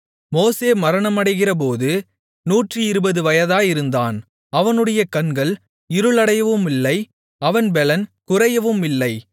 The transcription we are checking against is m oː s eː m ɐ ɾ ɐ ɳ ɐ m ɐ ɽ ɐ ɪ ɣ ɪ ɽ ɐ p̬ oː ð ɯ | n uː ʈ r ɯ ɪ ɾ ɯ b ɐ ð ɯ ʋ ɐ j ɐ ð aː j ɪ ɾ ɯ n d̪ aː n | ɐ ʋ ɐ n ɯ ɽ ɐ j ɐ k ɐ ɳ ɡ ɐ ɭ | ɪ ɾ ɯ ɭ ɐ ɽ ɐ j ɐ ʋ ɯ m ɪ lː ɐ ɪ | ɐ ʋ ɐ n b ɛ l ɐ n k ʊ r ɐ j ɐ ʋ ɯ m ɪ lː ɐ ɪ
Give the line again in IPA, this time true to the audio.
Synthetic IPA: m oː s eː m ɐ ɾ ɐ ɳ ɐ m ɐ ɽ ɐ ɪ ɣ ɪ r ɐ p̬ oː ð ɯ | n uː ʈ r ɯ ɪ ɾ ɯ b ɐ ð ɯ ʋ ɐ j ɐ ð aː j ɪ ɾ ɯ n d̪ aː n | ɐ ʋ ɐ n ɯ ɽ ɐ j ɐ k ɐ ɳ ɡ ɐ ɭ | ɪ ɾ ɯ ɭ ɐ ɽ ɐ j ɐ ʋ ɯ m ɪ lː ɐ ɪ | ɐ ʋ ɐ n b ɛ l ɐ n k ʊ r ɐ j ɐ ʋ ɯ m ɪ lː ɐ ɪ